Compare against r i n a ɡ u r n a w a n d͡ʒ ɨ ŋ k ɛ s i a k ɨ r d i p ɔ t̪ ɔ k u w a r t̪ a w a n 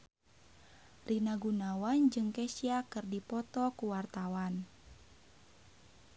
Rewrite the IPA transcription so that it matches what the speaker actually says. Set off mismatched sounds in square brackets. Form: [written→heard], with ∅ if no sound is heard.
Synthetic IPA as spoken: r i n a ɡ u [r→∅] n a w a n d͡ʒ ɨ ŋ k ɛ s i a k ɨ r d i p ɔ t̪ ɔ k u w a r t̪ a w a n